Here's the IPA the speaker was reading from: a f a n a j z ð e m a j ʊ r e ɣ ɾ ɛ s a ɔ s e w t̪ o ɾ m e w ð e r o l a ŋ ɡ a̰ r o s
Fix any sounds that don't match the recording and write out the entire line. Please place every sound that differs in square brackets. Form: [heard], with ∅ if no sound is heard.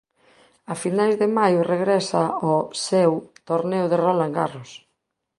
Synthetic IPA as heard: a f [i] n a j z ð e m a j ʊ r e ɣ ɾ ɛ s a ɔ s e w t̪ o ɾ [n] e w ð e r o l a ŋ ɡ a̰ r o s